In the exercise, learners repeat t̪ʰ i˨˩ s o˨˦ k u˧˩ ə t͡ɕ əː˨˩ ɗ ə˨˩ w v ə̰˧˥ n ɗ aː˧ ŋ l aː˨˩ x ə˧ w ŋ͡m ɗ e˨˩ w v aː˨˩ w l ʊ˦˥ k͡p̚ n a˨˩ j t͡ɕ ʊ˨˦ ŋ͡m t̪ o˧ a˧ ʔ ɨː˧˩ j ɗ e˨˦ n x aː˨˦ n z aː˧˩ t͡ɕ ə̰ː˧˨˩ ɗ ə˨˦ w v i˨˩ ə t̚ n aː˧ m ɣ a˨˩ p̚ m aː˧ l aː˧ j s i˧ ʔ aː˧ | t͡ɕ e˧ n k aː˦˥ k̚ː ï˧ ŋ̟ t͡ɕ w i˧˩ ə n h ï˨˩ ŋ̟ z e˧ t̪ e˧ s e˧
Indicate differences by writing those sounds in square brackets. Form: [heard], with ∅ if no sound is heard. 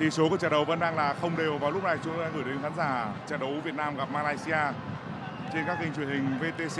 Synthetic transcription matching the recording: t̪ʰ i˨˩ s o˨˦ k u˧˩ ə t͡ɕ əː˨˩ ɗ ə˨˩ w v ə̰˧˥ n ɗ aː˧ ŋ l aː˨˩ x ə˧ w ŋ͡m ɗ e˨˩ w v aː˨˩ w l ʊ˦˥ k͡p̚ n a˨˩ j t͡ɕ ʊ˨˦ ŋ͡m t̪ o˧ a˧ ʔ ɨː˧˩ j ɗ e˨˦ n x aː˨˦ n z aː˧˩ t͡ɕ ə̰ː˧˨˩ ɗ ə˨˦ w v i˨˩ ə t̚ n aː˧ m ɣ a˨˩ p̚ m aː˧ l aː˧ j s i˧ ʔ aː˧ | t͡ɕ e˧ n k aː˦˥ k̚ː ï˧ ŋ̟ t͡ɕ w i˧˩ ə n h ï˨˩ ŋ̟ [v] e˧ t̪ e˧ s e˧